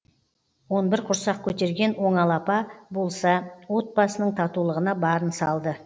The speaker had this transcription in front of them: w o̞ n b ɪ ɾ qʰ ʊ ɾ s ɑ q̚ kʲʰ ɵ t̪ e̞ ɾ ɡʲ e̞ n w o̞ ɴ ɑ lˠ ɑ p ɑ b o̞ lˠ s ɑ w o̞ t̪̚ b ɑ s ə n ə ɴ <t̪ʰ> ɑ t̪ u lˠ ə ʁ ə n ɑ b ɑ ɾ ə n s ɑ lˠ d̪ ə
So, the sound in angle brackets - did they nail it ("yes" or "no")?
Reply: yes